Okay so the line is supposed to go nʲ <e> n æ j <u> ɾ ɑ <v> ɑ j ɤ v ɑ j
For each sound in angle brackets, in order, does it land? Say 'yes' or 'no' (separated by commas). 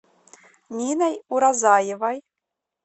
no, yes, no